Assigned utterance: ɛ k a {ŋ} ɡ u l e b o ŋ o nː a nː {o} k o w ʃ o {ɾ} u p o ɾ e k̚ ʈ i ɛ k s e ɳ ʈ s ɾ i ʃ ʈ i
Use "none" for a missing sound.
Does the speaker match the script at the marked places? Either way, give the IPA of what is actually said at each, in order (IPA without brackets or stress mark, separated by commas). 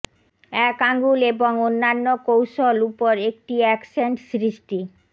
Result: ŋ, o, l